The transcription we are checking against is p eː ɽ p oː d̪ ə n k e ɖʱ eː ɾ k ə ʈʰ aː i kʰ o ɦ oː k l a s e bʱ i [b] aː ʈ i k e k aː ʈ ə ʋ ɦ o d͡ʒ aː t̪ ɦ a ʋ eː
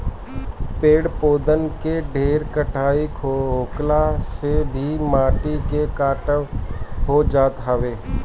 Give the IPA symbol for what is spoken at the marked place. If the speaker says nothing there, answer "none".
m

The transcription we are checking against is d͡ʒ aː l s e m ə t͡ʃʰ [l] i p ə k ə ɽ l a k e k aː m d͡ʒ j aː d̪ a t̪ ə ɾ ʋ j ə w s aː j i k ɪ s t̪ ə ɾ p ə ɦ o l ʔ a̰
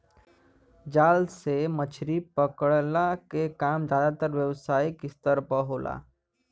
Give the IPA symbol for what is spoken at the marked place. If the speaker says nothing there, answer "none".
ɾ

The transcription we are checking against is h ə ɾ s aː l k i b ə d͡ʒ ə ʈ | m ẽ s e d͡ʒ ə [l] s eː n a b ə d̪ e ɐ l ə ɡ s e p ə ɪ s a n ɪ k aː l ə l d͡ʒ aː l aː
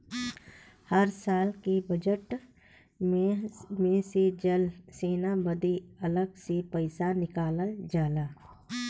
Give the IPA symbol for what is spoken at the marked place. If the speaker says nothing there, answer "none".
l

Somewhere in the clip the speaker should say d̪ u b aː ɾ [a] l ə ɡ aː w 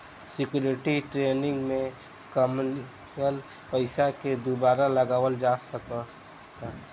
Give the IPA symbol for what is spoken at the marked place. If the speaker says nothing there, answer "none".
a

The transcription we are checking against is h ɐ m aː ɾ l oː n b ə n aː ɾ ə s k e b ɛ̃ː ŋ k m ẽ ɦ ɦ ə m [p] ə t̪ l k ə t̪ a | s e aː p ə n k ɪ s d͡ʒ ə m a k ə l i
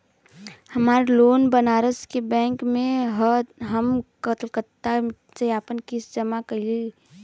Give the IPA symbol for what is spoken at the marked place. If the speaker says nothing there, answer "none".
k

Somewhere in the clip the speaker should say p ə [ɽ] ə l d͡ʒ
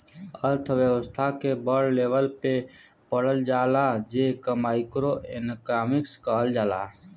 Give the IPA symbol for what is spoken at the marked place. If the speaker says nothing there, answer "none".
ɽ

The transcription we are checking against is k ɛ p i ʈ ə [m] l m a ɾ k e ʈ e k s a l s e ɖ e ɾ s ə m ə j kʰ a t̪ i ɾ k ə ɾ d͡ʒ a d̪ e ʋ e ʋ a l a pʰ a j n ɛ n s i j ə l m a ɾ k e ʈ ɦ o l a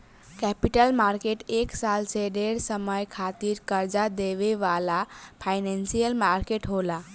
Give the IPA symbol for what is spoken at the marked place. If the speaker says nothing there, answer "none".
none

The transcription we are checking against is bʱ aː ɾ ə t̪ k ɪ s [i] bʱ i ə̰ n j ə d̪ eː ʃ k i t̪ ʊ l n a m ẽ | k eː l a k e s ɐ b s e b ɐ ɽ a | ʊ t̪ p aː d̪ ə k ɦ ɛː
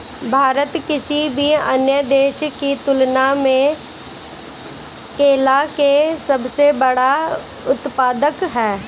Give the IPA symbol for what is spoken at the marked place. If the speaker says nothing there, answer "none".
i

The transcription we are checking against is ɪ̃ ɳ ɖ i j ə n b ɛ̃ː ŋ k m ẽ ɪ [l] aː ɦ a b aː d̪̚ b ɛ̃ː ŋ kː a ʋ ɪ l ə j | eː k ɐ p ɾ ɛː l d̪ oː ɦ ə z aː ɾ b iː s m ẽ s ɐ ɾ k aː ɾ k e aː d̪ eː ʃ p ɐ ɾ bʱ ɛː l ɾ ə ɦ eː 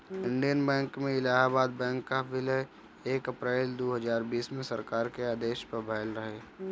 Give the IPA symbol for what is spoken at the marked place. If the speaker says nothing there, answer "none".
l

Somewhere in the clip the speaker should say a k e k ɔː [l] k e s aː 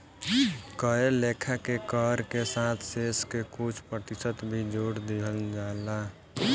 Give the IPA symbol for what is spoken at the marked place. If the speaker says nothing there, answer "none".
ɾ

